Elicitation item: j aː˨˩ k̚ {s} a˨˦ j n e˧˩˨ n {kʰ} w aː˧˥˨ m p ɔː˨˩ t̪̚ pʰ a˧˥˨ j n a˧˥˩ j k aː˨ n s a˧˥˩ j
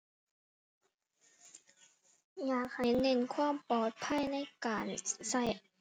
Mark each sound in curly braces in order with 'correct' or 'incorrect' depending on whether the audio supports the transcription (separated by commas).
incorrect, correct